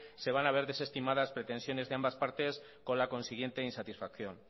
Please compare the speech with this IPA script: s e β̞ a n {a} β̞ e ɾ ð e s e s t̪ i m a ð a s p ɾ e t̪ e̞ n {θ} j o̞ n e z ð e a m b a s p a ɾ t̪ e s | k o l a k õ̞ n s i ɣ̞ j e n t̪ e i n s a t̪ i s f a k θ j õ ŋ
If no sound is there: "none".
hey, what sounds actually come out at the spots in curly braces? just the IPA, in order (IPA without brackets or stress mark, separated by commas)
a, s